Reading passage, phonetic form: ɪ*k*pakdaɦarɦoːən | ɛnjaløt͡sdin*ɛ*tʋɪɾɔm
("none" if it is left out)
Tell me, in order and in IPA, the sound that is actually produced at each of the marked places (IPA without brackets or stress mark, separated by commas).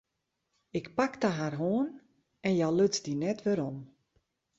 k, ɛ